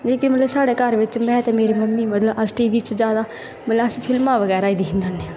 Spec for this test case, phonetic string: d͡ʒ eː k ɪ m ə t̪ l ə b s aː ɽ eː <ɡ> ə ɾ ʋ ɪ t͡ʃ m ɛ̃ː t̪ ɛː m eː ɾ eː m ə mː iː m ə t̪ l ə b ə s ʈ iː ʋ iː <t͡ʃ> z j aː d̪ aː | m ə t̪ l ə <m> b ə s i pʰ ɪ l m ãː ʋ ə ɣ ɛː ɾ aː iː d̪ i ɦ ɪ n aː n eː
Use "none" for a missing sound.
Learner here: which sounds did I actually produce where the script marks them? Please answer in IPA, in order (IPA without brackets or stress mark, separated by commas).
k, t͡ʃ, none